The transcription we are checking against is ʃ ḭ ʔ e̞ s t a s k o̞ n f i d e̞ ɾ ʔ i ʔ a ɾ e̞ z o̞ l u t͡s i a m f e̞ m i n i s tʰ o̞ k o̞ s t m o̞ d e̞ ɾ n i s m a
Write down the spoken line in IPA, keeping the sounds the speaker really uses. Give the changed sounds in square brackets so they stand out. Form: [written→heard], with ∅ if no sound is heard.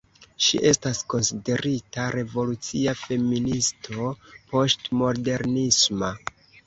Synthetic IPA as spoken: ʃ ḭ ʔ e̞ s t a s k o̞ n [f→s] i d e̞ ɾ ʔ i [ʔ→t] a ɾ e̞ [z→v] o̞ l u t͡s i a [m→∅] f e̞ m i n i s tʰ o̞ [k→p] o̞ s t m o̞ d e̞ ɾ n i s m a